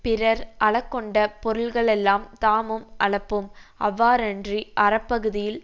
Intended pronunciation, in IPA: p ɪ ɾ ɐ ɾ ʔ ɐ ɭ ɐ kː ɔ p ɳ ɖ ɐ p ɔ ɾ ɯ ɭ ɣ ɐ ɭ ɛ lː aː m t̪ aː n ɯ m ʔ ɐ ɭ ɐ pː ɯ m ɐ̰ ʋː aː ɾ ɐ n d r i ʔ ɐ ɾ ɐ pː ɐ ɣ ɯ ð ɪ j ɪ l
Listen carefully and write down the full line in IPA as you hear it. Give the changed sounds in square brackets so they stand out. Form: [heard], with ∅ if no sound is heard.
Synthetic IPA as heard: p ɪ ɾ ɐ ɾ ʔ ɐ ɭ ɐ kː ɔ [∅] ɳ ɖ ɐ p ɔ ɾ ɯ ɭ ɣ ɐ ɭ ɛ lː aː m t̪ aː [m] ɯ m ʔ ɐ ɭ ɐ pː ɯ m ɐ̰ ʋː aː ɾ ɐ n d r i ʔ ɐ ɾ ɐ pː ɐ ɣ ɯ ð ɪ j ɪ l